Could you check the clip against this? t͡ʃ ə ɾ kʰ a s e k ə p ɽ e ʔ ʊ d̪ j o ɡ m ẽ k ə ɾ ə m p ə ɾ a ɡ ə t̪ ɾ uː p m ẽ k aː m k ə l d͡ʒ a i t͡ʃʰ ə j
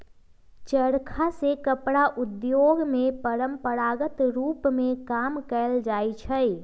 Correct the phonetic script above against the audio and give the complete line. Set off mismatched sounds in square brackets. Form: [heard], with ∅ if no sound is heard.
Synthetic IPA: t͡ʃ ə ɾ kʰ a s e k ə p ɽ [a] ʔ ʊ d̪ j o ɡ m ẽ [p] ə ɾ ə m p ə ɾ a ɡ ə t̪ ɾ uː p m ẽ k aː m k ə l d͡ʒ a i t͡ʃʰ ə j